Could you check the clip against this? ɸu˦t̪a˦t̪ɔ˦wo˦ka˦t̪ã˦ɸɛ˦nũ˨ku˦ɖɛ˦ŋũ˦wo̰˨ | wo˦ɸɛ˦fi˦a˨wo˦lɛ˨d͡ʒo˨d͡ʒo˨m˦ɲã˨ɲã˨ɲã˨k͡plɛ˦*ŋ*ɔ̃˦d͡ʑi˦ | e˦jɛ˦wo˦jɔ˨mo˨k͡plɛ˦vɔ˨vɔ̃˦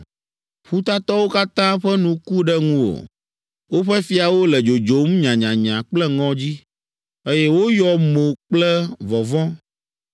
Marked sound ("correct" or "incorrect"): correct